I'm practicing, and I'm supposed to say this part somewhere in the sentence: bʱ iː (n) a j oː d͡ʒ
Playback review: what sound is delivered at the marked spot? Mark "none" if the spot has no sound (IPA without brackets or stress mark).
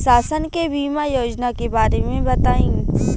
m